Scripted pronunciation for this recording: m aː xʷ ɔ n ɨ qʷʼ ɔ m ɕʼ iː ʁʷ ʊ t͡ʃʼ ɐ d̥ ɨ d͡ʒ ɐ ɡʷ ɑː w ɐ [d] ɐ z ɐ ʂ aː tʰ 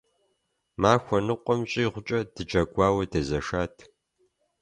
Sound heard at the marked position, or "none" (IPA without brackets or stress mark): d